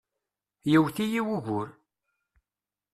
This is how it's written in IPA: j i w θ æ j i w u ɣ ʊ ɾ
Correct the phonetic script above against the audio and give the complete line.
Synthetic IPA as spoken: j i w θ i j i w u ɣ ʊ ɾ